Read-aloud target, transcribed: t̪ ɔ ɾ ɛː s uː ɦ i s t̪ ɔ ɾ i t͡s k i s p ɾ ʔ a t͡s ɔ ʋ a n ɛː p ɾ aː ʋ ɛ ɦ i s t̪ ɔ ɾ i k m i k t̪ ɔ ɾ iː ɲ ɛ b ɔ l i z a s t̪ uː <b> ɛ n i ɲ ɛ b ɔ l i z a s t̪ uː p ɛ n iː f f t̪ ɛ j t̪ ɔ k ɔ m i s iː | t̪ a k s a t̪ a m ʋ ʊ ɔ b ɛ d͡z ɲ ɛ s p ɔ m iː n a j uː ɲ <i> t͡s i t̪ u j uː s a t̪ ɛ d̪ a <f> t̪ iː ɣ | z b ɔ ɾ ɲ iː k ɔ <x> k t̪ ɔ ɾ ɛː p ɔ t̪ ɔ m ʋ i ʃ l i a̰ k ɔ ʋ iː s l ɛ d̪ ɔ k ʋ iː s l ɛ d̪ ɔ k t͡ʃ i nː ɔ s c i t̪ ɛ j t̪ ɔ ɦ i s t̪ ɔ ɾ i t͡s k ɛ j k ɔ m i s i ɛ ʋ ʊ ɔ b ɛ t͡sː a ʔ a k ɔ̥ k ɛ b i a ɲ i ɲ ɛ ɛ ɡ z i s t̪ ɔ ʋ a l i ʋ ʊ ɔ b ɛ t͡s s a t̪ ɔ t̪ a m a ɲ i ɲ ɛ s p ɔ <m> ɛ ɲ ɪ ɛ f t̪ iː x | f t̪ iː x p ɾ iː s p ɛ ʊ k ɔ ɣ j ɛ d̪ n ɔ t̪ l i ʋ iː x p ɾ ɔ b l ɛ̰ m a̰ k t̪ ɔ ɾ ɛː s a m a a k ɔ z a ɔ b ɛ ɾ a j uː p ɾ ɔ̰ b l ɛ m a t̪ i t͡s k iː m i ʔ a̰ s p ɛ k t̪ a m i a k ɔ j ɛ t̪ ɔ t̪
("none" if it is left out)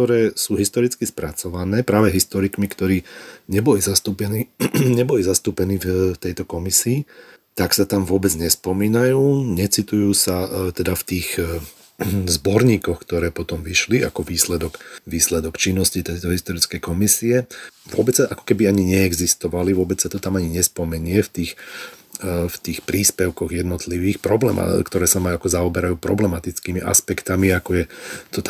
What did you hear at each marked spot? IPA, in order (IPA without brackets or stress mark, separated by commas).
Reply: p, ɛ, f, x, m